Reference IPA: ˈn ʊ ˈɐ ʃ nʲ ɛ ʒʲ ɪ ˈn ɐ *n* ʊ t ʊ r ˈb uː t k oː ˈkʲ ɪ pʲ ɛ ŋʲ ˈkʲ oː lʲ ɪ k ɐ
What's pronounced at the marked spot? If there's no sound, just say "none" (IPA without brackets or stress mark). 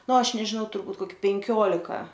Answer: none